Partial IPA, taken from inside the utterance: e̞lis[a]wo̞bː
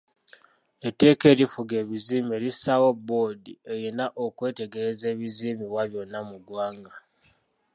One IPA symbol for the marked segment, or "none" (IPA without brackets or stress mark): a